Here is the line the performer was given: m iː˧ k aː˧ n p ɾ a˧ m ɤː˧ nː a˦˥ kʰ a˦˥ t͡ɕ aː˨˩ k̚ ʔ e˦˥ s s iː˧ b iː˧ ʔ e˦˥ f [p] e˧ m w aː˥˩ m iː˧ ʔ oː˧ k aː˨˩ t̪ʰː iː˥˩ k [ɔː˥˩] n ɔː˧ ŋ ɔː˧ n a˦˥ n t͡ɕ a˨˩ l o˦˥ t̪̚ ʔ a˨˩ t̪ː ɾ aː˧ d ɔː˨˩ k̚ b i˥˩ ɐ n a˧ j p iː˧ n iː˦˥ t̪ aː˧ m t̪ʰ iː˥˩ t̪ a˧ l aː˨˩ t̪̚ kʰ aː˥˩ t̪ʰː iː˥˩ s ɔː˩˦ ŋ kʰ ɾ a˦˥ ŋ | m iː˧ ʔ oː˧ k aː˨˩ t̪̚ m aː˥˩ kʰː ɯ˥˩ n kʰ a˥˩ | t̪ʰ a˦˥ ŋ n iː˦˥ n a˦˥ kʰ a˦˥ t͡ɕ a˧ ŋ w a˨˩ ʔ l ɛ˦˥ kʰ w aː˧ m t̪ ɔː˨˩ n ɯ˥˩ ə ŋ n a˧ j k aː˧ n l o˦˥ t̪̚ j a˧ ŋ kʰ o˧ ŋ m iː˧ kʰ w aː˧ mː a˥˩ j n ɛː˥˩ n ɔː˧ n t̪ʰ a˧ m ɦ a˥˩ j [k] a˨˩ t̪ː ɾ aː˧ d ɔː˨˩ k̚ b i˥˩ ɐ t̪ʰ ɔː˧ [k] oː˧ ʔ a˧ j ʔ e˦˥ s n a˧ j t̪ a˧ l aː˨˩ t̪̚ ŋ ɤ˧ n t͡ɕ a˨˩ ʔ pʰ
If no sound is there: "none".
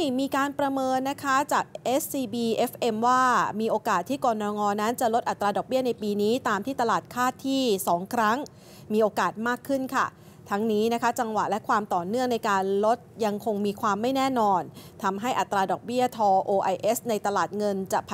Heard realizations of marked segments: ʔ, ɔː˧, ʔ, ʔ

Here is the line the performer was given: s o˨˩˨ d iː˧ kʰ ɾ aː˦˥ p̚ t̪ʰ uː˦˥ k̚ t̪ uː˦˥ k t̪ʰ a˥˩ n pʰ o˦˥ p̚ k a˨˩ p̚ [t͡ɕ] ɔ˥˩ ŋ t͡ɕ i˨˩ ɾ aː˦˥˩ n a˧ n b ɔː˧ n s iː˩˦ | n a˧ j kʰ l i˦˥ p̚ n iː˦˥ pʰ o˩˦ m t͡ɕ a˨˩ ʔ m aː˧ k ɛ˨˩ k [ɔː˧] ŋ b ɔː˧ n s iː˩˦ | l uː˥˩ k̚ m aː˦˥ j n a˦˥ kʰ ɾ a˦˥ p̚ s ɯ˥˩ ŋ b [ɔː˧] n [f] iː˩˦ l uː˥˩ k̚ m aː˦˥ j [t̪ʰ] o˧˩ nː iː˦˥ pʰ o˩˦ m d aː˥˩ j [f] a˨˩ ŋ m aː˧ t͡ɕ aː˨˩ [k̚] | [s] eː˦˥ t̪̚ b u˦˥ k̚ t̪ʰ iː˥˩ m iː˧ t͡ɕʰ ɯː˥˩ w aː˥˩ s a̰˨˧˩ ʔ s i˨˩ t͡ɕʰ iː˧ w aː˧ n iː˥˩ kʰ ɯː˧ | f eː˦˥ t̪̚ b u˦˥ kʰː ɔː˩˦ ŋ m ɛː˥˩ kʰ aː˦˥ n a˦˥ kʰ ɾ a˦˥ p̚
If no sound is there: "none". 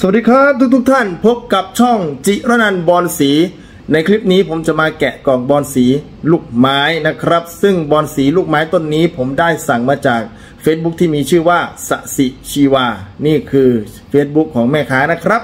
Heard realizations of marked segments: t͡ɕʰ, ɔː˨˩, ɔː˧, s, t̪, s, k̚, f

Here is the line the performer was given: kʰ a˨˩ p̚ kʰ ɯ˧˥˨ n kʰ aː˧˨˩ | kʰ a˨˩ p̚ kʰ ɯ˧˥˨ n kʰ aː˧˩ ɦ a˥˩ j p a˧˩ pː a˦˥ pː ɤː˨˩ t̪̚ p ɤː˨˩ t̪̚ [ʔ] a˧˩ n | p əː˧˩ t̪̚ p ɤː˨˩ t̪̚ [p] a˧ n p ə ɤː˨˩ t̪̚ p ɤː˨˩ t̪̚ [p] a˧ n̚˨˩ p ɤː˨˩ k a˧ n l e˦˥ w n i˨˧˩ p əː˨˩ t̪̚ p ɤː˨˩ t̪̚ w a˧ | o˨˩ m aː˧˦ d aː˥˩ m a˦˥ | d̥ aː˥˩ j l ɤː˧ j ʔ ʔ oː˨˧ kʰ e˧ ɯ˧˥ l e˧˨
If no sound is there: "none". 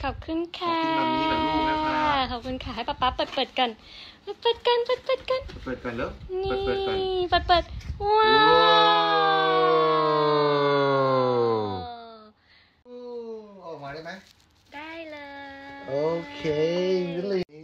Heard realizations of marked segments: k, k, k

